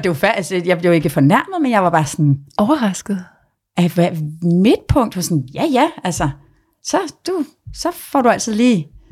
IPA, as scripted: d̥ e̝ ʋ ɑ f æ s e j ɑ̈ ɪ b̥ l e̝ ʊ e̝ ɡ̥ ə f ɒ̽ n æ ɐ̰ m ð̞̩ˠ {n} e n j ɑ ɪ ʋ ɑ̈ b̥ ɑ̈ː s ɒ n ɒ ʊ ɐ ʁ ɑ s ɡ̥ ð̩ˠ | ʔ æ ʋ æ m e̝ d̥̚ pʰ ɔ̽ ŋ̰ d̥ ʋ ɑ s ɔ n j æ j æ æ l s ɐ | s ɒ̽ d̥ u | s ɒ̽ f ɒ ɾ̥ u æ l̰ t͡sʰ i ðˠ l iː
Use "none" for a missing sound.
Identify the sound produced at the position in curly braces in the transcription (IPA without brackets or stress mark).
m